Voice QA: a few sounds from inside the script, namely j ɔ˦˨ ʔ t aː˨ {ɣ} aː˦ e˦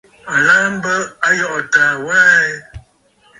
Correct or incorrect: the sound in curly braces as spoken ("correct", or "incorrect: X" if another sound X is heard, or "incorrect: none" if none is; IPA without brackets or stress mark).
incorrect: w